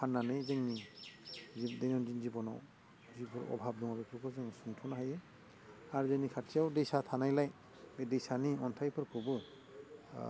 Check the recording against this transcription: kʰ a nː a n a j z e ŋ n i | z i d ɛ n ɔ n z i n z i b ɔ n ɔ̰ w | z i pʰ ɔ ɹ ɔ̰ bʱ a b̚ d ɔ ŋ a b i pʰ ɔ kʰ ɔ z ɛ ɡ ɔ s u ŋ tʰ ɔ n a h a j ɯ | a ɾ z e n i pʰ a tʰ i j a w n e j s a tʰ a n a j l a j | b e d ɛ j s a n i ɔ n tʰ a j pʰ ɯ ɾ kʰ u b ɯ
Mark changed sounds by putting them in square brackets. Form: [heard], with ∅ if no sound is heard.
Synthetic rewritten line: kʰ a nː a n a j z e ŋ n i | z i d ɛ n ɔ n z i n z i b ɔ n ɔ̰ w | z i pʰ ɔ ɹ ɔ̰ bʱ a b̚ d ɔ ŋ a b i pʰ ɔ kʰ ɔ z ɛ [ŋ] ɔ s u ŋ tʰ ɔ n a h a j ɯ | a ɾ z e n i [kʰ] a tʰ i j a w [d] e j s a tʰ a n a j l a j | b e d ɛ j s a n i ɔ n tʰ a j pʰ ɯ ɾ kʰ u b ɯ